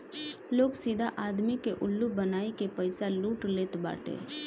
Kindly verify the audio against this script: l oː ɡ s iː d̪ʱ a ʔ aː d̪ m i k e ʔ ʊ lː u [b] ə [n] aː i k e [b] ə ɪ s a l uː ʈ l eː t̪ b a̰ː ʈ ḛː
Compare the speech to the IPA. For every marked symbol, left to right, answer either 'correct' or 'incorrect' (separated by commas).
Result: correct, correct, incorrect